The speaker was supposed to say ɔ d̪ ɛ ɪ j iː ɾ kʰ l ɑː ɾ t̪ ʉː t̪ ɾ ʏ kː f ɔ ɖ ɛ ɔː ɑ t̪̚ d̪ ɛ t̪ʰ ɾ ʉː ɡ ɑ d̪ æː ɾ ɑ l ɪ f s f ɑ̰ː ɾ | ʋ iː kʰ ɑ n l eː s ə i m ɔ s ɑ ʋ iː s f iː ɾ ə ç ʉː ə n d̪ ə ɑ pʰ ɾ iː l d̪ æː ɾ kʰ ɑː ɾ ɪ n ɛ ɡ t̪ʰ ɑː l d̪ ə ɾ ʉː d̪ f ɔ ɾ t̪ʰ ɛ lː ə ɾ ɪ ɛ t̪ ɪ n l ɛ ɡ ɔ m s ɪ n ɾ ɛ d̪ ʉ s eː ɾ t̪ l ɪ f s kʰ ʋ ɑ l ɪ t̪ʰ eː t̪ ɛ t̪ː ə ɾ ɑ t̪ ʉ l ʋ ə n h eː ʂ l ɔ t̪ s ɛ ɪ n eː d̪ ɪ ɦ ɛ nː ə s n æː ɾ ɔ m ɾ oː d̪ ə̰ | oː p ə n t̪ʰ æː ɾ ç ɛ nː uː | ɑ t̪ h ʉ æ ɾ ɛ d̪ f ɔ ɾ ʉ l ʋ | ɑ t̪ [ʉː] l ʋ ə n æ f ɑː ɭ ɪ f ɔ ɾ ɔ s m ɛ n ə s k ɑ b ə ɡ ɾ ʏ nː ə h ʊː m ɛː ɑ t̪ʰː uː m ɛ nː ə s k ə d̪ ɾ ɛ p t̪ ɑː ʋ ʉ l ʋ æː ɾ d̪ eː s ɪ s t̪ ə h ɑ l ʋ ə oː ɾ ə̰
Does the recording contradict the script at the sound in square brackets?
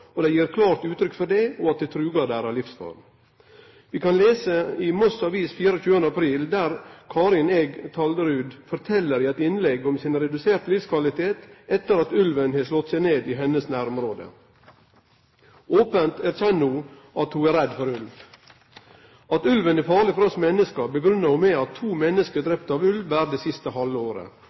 yes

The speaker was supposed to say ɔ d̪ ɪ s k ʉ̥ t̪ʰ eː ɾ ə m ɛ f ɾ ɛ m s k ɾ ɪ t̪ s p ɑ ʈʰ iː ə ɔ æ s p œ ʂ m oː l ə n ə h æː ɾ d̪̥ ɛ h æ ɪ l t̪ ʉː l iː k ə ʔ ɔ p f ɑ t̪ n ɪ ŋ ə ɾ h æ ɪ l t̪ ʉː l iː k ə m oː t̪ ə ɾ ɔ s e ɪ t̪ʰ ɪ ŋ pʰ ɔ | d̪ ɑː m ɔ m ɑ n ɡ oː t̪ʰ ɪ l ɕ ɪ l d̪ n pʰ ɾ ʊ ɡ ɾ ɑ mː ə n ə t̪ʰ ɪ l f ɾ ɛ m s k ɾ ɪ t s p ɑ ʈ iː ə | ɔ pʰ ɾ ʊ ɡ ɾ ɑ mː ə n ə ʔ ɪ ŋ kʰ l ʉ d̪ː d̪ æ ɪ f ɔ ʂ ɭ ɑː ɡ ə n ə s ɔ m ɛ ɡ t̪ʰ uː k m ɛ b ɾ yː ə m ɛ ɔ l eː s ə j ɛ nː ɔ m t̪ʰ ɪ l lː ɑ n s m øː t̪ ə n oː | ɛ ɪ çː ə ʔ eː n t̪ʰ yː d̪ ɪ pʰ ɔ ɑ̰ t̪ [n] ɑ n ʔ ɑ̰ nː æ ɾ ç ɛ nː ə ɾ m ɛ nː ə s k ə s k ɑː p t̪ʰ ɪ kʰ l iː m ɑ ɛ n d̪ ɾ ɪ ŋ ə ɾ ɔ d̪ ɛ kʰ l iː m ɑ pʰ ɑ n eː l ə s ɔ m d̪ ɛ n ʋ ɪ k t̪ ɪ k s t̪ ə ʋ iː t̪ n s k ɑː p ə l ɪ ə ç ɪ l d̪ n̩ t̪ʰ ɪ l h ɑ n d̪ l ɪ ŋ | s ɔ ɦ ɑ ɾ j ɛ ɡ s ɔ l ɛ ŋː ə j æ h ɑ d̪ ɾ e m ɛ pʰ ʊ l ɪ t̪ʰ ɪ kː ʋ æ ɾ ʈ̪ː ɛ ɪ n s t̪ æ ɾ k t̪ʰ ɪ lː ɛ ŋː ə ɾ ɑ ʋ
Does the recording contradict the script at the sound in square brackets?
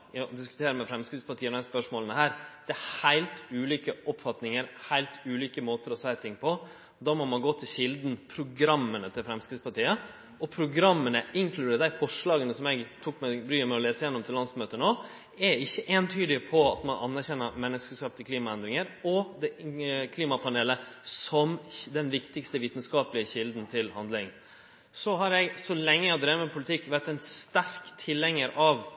yes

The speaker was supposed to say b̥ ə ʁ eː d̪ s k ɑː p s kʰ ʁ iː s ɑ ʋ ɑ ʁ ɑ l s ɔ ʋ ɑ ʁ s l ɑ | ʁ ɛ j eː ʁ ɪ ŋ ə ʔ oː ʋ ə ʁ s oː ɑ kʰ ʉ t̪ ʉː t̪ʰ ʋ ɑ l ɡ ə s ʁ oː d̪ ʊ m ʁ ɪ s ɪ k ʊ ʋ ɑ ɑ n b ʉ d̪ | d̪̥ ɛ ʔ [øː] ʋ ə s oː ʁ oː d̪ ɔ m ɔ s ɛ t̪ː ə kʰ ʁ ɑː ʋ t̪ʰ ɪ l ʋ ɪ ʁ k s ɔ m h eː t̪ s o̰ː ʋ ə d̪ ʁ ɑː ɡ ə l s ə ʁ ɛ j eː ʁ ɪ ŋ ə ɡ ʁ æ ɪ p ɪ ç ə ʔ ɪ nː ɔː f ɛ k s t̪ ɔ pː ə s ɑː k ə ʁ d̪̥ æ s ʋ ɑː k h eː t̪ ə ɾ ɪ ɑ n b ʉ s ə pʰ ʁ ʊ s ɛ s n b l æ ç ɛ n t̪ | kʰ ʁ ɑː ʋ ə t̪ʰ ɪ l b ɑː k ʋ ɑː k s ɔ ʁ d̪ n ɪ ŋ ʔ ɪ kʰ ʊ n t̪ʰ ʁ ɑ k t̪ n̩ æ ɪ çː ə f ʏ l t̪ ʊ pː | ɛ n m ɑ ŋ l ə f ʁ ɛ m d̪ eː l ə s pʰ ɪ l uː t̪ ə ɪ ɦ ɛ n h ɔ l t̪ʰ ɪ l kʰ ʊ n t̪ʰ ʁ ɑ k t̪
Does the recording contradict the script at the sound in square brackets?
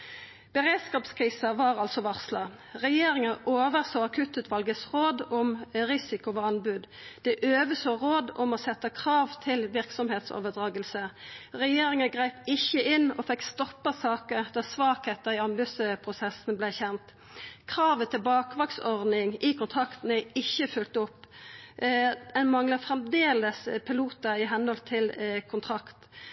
no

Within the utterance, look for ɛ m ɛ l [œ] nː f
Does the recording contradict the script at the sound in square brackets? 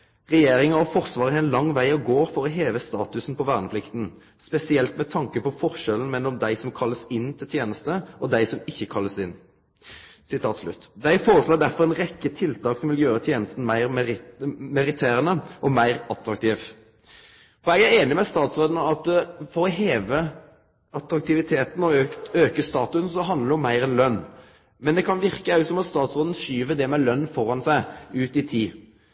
no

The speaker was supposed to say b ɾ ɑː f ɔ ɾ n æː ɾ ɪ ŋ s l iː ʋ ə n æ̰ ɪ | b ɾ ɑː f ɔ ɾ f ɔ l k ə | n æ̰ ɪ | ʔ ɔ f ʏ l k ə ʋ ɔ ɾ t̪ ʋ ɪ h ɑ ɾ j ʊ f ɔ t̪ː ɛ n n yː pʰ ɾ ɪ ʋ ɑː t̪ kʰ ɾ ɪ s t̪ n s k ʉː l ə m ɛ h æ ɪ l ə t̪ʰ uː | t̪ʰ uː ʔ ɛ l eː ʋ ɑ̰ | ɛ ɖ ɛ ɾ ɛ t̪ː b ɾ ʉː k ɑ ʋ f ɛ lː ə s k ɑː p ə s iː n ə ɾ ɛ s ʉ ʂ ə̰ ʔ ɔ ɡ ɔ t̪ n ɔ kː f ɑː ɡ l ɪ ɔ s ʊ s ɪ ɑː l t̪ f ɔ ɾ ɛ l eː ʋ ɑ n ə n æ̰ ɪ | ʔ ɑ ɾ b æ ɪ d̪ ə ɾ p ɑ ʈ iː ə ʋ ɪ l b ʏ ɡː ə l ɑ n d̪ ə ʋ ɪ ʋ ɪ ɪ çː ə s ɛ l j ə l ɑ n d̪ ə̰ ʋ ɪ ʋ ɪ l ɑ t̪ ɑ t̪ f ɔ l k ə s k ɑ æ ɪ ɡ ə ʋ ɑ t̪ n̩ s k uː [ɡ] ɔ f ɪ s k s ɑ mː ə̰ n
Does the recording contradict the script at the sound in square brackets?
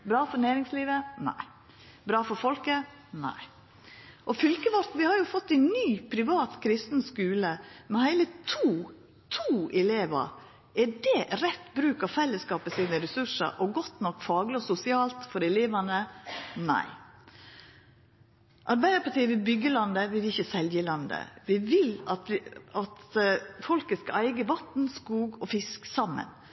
no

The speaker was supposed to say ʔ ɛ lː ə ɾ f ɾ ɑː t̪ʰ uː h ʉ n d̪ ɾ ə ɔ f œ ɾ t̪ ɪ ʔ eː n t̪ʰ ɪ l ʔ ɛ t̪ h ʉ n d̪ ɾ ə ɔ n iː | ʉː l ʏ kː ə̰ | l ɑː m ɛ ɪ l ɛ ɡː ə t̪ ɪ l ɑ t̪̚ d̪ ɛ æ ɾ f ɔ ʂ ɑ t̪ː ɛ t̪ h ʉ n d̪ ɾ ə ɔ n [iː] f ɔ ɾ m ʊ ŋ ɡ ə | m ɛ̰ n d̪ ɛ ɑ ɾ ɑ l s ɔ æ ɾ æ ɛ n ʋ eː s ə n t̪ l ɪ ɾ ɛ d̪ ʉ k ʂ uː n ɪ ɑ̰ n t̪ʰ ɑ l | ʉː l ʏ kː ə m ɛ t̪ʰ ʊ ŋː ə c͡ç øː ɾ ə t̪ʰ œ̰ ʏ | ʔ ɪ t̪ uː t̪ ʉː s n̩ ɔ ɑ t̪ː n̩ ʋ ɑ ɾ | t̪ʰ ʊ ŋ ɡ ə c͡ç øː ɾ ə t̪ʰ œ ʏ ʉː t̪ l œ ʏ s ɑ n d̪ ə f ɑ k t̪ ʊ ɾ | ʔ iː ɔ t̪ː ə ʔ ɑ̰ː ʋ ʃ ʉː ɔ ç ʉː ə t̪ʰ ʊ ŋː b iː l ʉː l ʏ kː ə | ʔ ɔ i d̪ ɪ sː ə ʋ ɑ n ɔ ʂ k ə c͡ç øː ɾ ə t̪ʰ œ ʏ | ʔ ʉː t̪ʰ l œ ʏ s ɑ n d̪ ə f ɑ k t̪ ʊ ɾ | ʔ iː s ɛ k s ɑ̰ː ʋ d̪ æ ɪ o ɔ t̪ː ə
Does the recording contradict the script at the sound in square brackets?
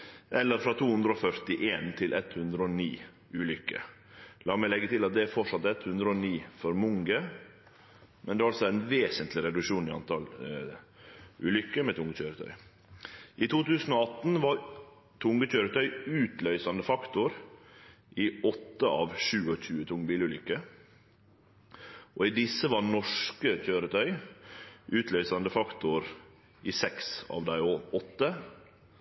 no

